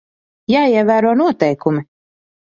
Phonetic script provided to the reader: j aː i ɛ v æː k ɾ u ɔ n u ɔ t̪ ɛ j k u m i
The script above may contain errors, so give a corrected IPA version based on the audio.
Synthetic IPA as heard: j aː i ɛ v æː ɾ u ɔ n u ɔ t̪ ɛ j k u m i